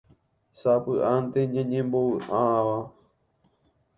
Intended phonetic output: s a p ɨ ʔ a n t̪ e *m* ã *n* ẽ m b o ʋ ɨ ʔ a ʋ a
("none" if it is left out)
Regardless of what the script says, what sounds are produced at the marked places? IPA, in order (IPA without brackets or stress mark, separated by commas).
ɲ, ɲ